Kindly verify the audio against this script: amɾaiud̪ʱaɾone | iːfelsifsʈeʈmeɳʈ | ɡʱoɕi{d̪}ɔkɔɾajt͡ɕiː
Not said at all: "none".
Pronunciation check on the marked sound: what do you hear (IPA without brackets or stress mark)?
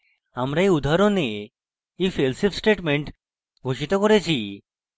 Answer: t̪